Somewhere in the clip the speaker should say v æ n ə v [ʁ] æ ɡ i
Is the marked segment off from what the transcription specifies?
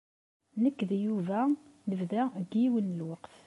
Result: yes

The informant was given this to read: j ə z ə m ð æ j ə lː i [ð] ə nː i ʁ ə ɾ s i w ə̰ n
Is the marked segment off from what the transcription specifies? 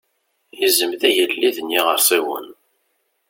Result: no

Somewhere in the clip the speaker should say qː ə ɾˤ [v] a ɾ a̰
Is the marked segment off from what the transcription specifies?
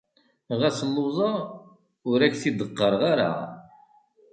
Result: yes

